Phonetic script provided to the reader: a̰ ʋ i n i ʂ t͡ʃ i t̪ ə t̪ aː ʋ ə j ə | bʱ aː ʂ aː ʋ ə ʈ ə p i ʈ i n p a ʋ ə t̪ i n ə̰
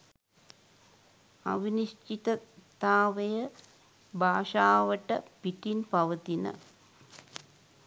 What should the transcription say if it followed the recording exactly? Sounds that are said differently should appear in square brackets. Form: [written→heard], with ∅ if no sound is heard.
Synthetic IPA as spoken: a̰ ʋ i n i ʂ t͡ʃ i t̪ ə t̪ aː ʋ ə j ə | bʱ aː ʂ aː ʋ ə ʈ ə p i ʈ i n p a ʋ ə t̪ i n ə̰